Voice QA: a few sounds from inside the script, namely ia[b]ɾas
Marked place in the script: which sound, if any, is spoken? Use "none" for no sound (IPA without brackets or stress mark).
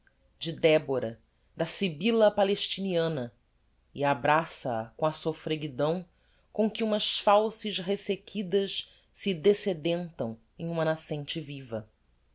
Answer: b